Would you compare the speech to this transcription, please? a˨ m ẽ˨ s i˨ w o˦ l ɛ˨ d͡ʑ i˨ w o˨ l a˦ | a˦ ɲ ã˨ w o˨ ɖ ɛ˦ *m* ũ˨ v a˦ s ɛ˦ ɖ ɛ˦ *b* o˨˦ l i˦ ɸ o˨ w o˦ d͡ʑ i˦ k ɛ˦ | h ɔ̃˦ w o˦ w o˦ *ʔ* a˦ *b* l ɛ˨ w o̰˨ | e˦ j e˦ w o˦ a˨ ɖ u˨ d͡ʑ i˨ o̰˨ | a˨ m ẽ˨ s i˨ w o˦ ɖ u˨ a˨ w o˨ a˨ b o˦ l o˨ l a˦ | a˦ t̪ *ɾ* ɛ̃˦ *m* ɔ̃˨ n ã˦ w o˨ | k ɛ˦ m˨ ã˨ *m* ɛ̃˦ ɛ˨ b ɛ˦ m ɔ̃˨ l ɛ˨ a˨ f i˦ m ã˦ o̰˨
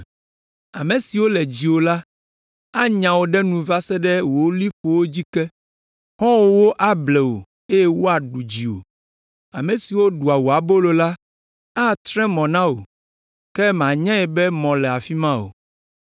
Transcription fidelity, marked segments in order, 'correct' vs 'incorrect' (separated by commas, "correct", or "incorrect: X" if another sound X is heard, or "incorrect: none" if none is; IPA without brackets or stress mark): incorrect: n, incorrect: w, correct, correct, correct, correct, incorrect: ɲ